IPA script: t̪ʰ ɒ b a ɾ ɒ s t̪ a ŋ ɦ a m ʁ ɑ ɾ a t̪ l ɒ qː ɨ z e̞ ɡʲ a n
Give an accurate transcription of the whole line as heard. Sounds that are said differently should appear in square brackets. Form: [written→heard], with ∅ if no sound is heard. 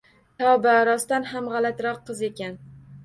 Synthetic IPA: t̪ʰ ɒ b a ɾ ɒ s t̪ a [ŋ→n] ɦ a m ʁ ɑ [ɾ→l] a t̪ [l→ɾ] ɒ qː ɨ z e̞ [ɡʲ→kʲ] a n